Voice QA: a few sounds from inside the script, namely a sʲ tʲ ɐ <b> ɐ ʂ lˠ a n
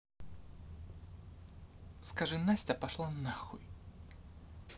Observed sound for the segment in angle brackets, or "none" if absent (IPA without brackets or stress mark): p